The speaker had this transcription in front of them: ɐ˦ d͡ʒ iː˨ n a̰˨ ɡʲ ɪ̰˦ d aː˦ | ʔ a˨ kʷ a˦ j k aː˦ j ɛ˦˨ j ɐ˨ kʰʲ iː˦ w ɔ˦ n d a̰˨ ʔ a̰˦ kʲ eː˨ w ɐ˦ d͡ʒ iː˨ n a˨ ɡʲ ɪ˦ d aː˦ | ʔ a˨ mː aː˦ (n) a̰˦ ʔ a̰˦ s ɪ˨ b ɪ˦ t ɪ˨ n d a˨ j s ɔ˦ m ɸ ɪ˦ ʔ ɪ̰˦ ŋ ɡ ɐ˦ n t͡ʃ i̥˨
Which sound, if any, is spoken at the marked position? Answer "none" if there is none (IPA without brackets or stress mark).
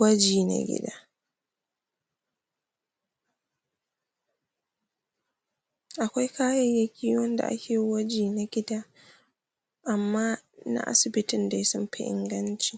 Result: n